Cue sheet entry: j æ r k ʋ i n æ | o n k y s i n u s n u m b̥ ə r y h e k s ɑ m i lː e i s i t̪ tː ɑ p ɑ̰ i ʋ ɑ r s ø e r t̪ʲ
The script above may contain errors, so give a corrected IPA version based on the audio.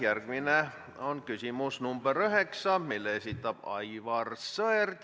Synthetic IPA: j æ r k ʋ i n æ | o n k y s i m u s n u m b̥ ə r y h e k s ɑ m i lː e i s i t̪ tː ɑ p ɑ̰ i ʋ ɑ r s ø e r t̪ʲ

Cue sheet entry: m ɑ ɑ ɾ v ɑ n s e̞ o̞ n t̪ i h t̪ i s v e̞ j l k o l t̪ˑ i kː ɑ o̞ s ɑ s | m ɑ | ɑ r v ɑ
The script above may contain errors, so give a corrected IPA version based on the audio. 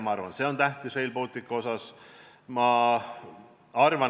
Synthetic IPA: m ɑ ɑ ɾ v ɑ n s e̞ o̞ n t̪ æ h t̪ i s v e̞ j l p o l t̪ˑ i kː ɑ o̞ s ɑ s | m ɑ | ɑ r v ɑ

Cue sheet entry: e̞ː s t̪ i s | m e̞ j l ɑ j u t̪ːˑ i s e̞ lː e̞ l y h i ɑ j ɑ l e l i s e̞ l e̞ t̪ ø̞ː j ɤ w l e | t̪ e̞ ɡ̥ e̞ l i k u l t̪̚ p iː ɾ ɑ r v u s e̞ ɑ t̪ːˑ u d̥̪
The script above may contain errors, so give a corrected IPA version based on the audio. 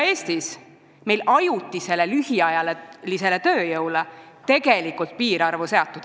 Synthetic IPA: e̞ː s t̪ i s | m e̞ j l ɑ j u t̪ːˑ i s e̞ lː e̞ l y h i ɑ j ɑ l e l i s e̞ l e̞ t̪ ø̞ː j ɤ w l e | t̪ e̞ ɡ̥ e̞ l i k u l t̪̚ p iː ɾ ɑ r v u s e̞ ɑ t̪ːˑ u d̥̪

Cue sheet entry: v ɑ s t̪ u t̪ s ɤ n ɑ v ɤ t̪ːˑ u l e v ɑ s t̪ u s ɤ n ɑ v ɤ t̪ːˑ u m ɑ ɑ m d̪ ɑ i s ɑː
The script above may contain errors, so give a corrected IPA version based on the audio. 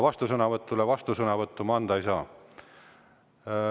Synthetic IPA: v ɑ s t̪ u s ɤ n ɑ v ɤ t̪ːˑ u l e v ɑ s t̪ u s ɤ n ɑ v ɤ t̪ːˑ u m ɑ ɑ n d̪ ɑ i s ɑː

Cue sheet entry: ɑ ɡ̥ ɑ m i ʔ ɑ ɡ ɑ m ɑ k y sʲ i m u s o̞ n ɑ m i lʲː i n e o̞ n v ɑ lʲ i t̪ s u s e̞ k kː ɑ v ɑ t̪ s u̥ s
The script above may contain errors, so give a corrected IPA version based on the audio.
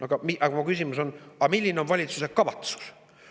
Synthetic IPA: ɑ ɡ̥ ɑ m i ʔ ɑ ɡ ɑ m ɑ k y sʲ i m u s o̞ n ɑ m i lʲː i n e o̞ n v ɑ lʲ i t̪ s u s e̞ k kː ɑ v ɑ t̪ s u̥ s

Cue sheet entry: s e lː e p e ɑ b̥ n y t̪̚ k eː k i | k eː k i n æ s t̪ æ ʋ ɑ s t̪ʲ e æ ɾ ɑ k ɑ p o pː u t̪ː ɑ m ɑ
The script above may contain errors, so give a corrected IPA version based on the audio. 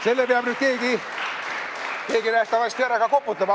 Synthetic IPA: s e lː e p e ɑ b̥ n y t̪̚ k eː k i | k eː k i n æ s t̪ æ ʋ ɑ s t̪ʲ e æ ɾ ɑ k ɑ k o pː u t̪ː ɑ m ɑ

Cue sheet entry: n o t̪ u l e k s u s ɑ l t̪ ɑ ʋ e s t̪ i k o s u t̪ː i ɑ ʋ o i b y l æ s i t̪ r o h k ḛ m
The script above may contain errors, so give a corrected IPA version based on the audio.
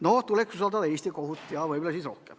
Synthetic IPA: n o t̪ u l e k s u s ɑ l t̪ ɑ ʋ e s t̪ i k o h u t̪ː j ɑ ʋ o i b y l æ s i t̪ r o h k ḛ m

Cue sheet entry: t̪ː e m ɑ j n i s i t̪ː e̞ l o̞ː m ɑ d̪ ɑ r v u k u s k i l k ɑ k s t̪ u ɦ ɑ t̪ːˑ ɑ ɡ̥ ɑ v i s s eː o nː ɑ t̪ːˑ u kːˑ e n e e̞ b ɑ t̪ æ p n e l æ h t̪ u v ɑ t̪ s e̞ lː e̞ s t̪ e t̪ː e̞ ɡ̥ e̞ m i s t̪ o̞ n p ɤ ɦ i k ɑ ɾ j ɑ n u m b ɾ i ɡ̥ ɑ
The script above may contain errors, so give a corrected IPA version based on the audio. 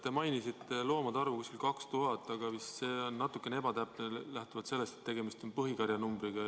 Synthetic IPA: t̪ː e m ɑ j n i s i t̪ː e̞ l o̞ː m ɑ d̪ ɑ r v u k u s k i l k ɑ k s t̪ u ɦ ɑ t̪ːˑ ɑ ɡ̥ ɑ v i s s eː o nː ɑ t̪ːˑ u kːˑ e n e e̞ b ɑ t̪ æ p n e l æ h t̪ u v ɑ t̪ s e̞ lː e̞ s t̪ e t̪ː e̞ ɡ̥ e̞ m i s t̪ o̞ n p ɤ ɦ i k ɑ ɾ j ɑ n u m b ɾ i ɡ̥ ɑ

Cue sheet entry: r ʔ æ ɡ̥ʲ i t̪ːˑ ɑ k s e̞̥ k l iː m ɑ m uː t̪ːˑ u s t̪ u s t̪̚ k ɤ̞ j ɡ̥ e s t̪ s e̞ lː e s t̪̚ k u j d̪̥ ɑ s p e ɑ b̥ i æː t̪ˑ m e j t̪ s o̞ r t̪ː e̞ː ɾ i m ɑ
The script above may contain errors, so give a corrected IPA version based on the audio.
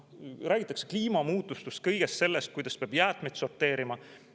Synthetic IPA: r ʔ æː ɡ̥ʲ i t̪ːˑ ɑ k s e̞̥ k l iː m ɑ m uː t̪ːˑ u s t̪ u s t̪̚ k ɤ̞ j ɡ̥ e s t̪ s e̞ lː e s t̪̚ k u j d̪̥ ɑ s p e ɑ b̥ j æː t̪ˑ m e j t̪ s o̞ r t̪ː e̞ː ɾ i m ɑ

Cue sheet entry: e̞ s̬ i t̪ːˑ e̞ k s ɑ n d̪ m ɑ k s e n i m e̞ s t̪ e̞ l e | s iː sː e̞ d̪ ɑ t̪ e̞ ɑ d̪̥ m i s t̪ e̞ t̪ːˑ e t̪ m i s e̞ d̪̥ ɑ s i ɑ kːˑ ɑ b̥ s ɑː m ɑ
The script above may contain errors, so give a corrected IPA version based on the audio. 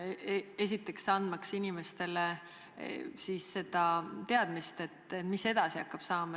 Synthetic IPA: e̞ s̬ i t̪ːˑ e̞ k s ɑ n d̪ m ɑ k s i n i m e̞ s t̪ e̞ l e | s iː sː e̞ d̪ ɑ t̪ e̞ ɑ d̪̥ m i s t̪ e̞ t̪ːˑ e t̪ m i s e̞ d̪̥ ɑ s i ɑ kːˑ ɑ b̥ s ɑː m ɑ

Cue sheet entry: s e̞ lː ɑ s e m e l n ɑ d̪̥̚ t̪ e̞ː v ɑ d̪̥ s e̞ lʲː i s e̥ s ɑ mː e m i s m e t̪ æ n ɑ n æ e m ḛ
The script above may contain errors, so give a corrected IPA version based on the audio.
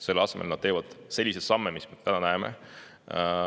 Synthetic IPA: s e̞ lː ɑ s e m e l n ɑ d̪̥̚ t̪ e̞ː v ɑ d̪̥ s e̞ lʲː i s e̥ s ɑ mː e m i s m e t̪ æ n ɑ n æ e m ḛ

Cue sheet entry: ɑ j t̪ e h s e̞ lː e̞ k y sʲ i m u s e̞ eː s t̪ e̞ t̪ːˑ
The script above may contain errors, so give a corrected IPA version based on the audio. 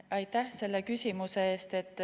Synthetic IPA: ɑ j t̪ æ h s e̞ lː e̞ k y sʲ i m u s e̞ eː s t̪ e̞ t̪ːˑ

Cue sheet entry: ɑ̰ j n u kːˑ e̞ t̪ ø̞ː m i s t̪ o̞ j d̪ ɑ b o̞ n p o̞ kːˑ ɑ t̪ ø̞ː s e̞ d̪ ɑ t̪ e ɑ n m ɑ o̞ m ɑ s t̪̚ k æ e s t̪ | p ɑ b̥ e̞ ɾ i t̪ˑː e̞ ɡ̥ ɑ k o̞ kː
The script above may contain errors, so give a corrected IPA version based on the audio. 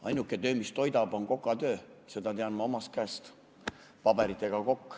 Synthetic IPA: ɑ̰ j n u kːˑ e̞ t̪ ø̞ː m i s t̪ o̞ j d̪ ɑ b o̞ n k o̞ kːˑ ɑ t̪ ø̞ː s e̞ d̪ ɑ t̪ e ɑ n m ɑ o̞ m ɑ s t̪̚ k æ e s t̪ | p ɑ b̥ e̞ ɾ i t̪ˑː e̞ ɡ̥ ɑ k o̞ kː

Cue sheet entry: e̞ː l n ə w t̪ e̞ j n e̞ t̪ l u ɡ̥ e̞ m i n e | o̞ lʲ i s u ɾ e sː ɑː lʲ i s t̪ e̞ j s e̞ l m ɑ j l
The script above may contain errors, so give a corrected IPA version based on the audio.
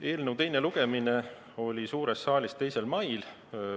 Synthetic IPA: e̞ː l n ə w t̪ e̞ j n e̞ l u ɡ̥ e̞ m i n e | o̞ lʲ i s uː ɾ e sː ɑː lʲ i s t̪ e̞ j s e̞ l m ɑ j l

